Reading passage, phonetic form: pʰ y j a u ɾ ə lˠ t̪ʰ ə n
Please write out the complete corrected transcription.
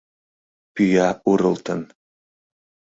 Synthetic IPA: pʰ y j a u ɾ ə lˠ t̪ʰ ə n